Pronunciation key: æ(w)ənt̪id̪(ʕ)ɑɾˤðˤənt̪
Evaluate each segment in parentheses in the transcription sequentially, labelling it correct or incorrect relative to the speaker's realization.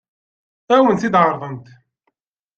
correct, correct

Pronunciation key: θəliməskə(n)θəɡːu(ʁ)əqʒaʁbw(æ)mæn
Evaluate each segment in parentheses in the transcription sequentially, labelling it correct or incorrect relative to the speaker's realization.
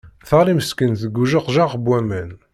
correct, incorrect: ʒ, correct

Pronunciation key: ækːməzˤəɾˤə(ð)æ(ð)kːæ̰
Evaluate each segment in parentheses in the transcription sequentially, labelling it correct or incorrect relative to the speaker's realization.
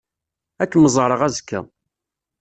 incorrect: ʁ, incorrect: z

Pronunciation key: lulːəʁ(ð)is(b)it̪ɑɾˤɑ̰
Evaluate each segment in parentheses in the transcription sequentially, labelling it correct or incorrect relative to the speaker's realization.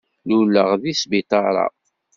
correct, correct

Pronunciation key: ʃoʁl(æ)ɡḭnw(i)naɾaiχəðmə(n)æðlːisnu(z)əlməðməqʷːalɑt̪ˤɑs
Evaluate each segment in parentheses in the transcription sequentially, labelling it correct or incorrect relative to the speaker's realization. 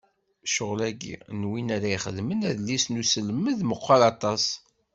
correct, correct, correct, incorrect: s

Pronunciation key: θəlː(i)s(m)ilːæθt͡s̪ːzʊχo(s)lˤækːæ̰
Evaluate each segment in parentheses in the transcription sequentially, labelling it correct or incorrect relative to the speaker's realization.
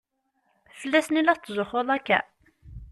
incorrect: æ, incorrect: n, incorrect: none

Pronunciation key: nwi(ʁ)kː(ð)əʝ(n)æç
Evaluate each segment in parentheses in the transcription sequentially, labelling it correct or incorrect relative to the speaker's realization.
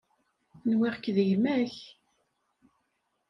correct, correct, incorrect: m

